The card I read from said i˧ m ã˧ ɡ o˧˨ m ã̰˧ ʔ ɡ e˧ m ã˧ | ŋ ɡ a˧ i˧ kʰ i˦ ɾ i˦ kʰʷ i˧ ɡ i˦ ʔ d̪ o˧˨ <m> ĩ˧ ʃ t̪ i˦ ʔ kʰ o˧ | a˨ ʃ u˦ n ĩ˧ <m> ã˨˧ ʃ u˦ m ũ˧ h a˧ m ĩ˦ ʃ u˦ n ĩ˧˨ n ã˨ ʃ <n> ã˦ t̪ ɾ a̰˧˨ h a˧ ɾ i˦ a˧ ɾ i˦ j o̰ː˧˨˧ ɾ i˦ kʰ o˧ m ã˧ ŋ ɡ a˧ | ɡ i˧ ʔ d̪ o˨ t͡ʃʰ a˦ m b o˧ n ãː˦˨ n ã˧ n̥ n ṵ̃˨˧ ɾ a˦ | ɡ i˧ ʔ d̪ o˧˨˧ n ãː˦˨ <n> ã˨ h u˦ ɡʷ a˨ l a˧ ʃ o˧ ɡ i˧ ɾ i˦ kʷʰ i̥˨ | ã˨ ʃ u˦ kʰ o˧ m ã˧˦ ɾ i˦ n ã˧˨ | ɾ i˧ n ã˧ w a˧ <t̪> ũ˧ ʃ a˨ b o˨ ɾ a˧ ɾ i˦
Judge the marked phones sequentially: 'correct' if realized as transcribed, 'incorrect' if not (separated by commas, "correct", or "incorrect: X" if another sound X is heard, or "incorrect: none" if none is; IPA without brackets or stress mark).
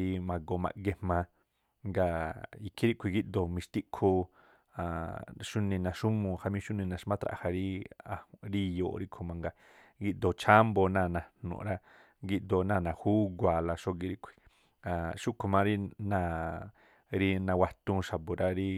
correct, incorrect: n, incorrect: m, correct, correct